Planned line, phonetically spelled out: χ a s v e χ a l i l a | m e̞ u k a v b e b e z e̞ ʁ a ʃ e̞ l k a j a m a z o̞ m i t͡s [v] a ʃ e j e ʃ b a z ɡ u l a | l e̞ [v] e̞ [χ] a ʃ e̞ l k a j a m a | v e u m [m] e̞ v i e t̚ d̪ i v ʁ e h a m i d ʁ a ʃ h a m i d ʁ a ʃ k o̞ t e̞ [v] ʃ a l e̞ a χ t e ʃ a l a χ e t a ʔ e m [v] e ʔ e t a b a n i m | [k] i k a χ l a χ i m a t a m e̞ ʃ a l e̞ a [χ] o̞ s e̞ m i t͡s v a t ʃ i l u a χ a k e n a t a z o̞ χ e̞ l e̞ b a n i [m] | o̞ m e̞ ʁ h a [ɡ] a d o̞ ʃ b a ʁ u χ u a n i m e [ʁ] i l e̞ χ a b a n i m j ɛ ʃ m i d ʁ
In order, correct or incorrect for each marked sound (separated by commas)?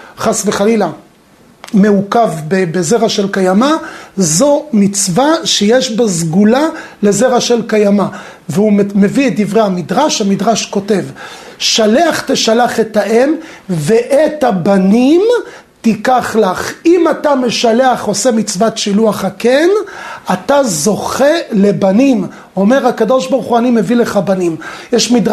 correct, incorrect, incorrect, correct, correct, correct, incorrect, correct, correct, incorrect, incorrect